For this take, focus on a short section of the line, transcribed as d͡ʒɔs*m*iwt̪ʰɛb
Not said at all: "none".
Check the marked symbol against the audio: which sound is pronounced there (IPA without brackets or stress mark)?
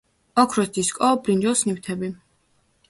n